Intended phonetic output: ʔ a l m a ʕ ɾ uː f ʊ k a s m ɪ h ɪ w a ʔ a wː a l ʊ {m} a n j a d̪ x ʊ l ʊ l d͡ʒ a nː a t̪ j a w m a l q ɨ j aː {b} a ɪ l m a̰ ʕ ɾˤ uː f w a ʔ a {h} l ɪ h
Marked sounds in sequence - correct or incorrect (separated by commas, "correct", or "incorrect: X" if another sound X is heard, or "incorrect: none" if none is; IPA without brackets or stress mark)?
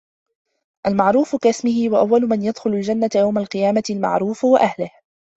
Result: correct, incorrect: m, correct